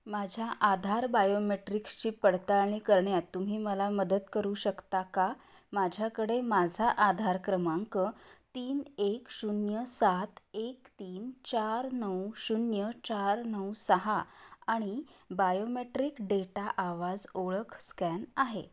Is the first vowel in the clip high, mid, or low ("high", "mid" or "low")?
low